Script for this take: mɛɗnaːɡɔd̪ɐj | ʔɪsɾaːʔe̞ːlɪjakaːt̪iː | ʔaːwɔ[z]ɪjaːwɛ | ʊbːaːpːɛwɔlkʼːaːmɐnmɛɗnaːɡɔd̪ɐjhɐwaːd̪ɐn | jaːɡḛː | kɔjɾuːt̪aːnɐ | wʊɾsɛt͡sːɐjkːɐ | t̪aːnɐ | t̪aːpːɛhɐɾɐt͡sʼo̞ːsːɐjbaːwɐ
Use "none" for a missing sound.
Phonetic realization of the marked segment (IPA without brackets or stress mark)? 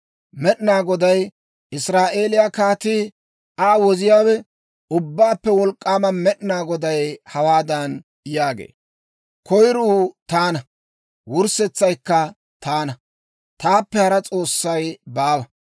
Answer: z